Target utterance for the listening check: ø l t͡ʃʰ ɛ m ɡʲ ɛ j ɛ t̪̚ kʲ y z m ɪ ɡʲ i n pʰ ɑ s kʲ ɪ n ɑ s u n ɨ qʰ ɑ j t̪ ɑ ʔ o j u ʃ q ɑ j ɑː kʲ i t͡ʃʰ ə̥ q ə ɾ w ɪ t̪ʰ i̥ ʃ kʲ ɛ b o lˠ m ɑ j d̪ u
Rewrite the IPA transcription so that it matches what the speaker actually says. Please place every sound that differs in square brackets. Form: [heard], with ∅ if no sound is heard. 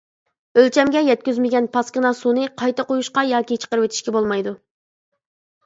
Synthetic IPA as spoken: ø l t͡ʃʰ ɛ m ɡʲ ɛ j ɛ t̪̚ kʲ y z m ɪ ɡʲ [ɛ] n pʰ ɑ s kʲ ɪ n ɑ s u n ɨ qʰ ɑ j t̪ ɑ [q] o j u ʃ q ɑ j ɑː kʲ i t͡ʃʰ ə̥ q ə ɾ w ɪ t̪ʰ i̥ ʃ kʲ ɛ b o lˠ m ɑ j d̪ u